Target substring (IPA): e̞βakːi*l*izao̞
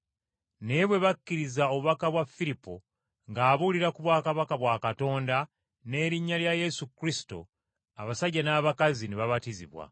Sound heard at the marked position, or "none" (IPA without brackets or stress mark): ɾ